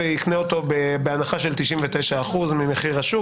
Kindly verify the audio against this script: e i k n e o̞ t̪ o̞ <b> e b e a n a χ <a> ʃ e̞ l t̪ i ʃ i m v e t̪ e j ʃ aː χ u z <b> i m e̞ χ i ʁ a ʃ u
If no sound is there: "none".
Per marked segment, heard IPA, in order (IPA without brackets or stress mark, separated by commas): b, a, m